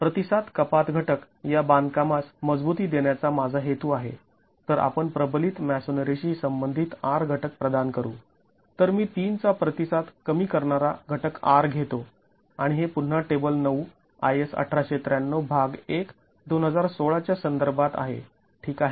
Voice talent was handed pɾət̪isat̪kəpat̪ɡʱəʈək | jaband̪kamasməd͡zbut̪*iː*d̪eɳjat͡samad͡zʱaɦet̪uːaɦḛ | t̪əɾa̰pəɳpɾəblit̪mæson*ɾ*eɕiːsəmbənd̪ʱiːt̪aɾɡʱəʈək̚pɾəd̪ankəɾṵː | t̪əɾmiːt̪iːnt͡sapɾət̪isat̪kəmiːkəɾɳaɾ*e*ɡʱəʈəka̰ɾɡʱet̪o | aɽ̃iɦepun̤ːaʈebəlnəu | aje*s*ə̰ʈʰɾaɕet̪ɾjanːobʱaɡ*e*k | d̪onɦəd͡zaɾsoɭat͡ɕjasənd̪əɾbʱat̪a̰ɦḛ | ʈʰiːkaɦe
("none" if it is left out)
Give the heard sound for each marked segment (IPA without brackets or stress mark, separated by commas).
iː, ɾ, a, s, e